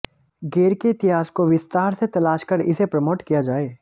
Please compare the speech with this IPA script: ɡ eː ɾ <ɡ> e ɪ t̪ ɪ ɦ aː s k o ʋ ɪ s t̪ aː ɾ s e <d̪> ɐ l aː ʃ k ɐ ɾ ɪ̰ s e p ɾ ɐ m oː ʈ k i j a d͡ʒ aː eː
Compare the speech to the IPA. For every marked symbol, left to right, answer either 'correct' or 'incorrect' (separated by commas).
incorrect, incorrect